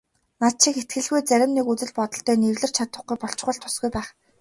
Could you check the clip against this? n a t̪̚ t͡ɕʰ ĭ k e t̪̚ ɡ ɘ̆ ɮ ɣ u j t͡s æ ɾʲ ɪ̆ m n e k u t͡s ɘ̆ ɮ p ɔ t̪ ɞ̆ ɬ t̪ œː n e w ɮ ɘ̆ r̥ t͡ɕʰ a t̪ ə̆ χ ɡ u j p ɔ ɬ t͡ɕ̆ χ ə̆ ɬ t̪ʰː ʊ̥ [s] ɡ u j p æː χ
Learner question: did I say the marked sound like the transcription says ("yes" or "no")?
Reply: yes